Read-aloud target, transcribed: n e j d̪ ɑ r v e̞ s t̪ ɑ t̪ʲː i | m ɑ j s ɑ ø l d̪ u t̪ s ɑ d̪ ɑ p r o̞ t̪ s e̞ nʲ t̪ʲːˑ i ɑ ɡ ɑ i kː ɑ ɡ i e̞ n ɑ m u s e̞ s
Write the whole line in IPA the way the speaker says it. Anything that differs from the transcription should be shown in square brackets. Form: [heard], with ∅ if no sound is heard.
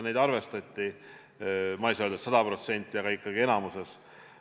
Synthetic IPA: n e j d̪ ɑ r v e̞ s t̪ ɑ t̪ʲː i | m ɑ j s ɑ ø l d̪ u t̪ s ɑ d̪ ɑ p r o̞ t̪ s e̞ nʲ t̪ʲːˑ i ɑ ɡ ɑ i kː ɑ ɡ i e̞ n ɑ m u s e̞ s